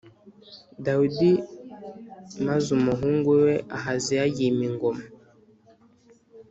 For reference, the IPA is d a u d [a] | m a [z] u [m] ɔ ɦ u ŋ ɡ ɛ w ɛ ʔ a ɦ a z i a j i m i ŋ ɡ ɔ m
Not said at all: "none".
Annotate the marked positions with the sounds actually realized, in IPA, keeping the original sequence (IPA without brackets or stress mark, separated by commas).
i, z, m